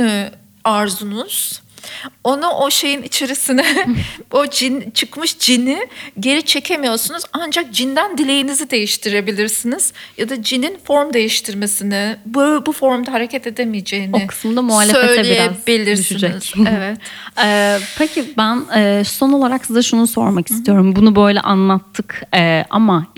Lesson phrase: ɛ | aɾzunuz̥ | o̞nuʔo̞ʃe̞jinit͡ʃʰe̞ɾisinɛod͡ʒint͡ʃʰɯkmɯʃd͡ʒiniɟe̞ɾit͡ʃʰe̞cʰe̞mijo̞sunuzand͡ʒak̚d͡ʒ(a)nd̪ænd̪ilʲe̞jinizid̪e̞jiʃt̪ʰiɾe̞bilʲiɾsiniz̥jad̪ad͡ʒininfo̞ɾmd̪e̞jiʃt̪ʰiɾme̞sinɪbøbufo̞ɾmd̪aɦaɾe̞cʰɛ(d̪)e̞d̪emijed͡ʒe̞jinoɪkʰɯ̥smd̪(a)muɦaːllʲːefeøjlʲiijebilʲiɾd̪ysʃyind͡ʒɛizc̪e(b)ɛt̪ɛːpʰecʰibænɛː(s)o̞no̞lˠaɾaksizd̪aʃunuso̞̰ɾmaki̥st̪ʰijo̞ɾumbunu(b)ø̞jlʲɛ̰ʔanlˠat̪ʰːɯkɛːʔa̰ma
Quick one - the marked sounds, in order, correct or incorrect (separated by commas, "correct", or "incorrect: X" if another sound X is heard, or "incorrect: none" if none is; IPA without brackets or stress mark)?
incorrect: i, incorrect: t̪, correct, incorrect: v, correct, correct